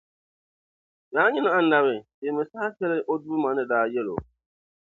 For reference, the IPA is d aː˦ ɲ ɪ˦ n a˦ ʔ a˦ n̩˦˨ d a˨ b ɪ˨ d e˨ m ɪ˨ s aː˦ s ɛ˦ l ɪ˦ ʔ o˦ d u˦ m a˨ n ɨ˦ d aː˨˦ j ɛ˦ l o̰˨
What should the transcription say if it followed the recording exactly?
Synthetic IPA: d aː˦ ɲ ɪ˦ n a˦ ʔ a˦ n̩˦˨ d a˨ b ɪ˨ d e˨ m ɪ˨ s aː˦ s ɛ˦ l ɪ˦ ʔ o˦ d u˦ m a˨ n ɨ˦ d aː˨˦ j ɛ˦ l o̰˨

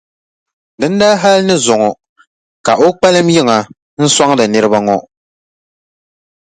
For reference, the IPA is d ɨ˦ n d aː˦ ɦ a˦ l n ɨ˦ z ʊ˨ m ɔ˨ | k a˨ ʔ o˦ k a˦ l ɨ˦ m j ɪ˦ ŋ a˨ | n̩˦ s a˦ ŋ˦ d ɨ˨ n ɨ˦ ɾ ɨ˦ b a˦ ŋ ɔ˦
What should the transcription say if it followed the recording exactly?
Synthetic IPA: d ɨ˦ n d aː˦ ɦ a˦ l n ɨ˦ z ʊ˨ ŋ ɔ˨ | k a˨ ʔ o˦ k͡p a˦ l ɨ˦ m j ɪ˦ ŋ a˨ | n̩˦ s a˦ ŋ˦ d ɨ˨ n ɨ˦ ɾ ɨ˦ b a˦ ŋ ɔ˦

